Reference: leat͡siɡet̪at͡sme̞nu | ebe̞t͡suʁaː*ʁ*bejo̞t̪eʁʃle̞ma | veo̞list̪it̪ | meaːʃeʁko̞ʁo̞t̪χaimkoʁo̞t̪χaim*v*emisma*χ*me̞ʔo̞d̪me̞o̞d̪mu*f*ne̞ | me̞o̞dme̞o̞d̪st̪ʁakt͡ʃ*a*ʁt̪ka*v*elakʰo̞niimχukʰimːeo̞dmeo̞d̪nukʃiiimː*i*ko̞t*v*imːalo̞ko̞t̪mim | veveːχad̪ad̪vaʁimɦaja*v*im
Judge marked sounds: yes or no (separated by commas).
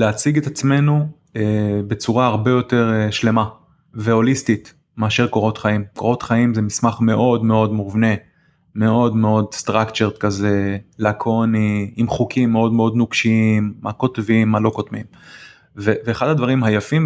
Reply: yes, no, yes, no, no, no, no, yes, no